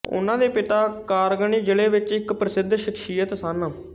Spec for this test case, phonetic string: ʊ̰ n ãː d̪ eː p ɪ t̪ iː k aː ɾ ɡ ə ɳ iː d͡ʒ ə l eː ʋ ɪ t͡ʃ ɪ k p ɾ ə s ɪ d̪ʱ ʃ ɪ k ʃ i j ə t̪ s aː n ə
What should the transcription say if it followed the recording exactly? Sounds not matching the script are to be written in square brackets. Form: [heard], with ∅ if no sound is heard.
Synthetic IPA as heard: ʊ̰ n ãː d̪ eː p ɪ t̪ [aː] k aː ɾ ɡ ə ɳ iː d͡ʒ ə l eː ʋ ɪ t͡ʃ ɪ k p ɾ ə s ɪ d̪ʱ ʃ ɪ k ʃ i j ə t̪ s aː n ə